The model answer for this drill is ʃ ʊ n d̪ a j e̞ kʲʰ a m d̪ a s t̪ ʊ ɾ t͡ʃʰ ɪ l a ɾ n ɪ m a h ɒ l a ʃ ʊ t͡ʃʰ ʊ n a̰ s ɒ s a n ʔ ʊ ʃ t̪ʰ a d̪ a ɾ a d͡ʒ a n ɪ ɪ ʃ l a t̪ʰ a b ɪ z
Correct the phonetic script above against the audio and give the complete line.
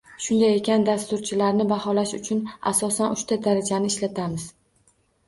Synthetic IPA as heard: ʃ ʊ n d̪ a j e̞ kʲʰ a n d̪ a s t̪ ʊ ɾ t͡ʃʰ ɪ l a ɾ n ɪ b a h ɒ l a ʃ ʊ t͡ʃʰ ʊ n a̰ s ɒ s a n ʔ ʊ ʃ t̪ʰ a d̪ a ɾ a d͡ʒ a n ɪ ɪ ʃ l a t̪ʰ a m ɪ z

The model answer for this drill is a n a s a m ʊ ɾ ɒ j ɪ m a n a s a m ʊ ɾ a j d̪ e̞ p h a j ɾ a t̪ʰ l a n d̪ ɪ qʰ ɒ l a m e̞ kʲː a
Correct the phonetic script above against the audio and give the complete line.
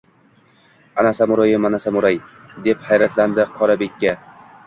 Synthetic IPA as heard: a n a s a m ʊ ɾ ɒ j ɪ m a n a s a m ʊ ɾ a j d̪ e̞ p h a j ɾ a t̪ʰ l a n d̪ ɪ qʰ ɒ ɾ a b e̞ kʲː a

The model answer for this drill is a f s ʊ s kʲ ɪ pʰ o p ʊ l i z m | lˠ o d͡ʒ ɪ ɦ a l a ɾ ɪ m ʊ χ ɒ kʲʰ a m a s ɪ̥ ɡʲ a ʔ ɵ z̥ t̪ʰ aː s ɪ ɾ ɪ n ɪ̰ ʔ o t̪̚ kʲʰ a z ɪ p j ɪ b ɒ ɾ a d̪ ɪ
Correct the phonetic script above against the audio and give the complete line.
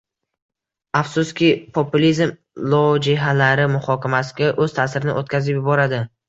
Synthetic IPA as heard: a f s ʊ s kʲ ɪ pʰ o p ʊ l i z m | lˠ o d͡ʒ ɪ ɦ a l a ɾ ɪ m ʊ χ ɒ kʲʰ a m a s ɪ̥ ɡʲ a ʔ ɵ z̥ t̪ʰ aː s ɪ ɾ ɪ n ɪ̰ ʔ o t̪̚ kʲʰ a z ɪ p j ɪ b ɒ ɾ a d̪ ɪ

